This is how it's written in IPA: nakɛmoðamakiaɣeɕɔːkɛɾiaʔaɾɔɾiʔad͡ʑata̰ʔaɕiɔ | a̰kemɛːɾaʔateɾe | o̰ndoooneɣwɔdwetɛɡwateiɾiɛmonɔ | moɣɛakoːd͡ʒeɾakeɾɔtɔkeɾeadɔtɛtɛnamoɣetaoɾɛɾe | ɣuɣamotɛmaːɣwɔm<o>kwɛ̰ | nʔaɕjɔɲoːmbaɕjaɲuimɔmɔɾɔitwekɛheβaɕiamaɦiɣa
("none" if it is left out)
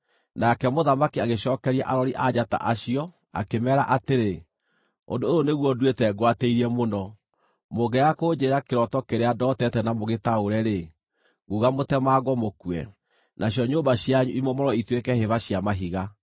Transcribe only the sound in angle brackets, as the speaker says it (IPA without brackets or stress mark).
o